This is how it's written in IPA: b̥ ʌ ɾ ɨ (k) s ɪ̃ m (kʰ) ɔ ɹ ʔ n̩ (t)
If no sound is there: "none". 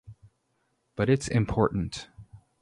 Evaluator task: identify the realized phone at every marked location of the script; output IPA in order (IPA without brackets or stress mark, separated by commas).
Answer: t, pʰ, t